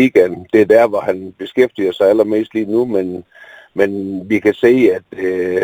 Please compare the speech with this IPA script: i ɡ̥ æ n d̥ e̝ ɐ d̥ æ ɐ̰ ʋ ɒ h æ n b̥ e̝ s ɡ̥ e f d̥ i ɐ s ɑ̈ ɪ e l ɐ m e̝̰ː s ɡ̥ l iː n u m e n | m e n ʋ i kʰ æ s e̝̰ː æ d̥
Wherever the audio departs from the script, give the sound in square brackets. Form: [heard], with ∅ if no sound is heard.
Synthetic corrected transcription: i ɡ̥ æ n d̥ e̝ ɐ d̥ æ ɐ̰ ʋ ɒ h æ n b̥ e̝ s ɡ̥ e f d̥ i ɐ s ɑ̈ ɪ [æ] l ɐ m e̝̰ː s [d̥] l iː n u m e n | m e n ʋ i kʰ æ s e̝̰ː æ d̥